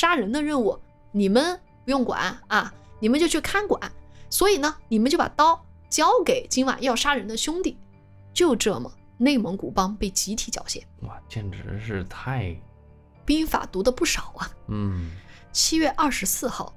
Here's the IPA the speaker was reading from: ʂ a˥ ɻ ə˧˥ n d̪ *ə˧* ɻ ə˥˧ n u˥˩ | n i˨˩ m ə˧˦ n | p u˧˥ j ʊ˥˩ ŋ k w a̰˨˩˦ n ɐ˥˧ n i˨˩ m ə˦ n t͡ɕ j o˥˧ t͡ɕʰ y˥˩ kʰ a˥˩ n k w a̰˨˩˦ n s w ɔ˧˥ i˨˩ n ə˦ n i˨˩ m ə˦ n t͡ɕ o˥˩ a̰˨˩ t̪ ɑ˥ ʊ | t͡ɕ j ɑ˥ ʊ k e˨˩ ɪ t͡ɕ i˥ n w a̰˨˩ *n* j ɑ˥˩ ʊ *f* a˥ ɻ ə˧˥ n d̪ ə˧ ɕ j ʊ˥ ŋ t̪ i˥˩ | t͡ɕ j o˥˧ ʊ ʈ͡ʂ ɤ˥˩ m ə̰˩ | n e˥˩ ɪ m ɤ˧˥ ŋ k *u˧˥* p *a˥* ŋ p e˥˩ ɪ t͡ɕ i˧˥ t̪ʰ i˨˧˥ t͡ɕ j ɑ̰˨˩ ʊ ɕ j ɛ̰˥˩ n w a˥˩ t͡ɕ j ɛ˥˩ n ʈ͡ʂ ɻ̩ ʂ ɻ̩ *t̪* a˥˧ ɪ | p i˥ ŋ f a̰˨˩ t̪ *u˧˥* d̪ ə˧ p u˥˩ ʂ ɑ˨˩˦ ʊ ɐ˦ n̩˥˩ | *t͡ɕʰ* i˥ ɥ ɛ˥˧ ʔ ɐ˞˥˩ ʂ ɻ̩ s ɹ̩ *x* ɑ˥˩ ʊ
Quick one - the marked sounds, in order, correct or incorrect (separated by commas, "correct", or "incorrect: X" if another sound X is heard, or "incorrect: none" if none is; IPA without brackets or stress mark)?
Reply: correct, correct, incorrect: ʂ, incorrect: u˨˩, incorrect: ɑ˥, incorrect: t̪ʰ, correct, correct, correct